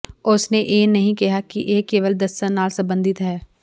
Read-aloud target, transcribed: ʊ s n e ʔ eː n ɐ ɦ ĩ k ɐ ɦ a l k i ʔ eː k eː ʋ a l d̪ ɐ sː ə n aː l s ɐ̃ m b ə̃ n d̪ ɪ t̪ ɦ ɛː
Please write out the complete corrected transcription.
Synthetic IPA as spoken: ʊ s n e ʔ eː n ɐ ɦ ĩ k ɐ ɦ a k i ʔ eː k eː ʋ ə l d̪ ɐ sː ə n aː l s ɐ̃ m b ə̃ n d̪ ɪ t̪ ɦ ɛː